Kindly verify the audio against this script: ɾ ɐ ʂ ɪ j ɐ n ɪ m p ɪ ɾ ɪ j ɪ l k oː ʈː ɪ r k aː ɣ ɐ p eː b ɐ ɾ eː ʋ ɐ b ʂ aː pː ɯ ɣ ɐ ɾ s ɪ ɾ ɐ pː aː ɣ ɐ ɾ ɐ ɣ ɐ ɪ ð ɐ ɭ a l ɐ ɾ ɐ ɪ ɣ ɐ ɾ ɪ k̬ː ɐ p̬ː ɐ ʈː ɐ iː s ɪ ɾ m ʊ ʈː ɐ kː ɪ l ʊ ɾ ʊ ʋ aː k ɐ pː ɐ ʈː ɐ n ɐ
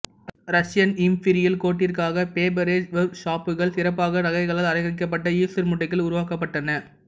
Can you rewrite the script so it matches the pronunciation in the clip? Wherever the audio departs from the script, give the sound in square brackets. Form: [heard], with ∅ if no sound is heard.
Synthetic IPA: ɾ ɐ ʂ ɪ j ɐ n ɪ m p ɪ ɾ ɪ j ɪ l k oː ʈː ɪ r k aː ɣ ɐ p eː b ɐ ɾ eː ʋ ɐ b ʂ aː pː ɯ ɣ ɐ [ɭ] s ɪ ɾ ɐ pː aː ɣ ɐ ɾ ɐ ɣ ɐ ɪ [ɣ] ɐ ɭ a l ɐ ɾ ɐ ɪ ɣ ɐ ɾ ɪ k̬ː ɐ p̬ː ɐ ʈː ɐ iː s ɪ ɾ m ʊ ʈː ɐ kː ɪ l ʊ ɾ ʊ ʋ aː k ɐ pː ɐ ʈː ɐ n ɐ